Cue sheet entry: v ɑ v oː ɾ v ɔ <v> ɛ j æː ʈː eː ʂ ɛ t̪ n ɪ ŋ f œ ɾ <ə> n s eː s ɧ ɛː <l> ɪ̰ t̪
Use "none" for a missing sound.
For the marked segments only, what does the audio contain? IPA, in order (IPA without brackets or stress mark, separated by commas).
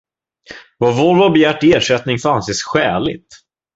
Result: b, a, l